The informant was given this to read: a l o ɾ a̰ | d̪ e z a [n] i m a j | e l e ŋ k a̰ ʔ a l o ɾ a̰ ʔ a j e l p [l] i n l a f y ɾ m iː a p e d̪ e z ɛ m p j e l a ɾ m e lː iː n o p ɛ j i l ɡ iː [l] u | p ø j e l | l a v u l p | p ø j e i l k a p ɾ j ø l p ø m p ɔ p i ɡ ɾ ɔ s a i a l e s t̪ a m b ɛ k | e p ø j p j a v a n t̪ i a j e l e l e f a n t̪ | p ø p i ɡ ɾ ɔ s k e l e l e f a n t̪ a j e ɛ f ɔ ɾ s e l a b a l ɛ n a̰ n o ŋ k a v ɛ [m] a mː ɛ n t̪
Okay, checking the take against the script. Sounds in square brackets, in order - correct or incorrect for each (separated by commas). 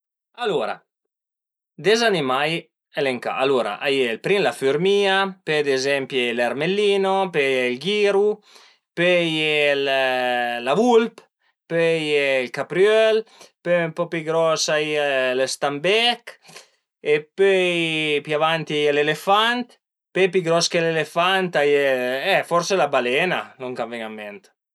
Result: correct, incorrect, incorrect, incorrect